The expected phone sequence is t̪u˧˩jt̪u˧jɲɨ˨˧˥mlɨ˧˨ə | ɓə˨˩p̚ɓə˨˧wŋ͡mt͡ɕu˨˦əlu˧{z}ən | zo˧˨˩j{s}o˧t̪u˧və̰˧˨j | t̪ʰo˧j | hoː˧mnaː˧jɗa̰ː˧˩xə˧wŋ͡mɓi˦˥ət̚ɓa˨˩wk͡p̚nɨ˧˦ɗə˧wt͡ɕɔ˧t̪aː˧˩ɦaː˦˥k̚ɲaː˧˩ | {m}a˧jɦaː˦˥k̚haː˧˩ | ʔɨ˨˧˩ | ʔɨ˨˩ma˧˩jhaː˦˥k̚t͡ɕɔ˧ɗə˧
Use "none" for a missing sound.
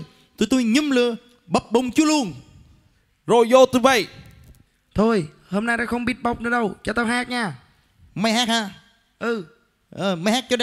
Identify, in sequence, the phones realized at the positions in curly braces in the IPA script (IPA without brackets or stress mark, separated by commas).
none, z, m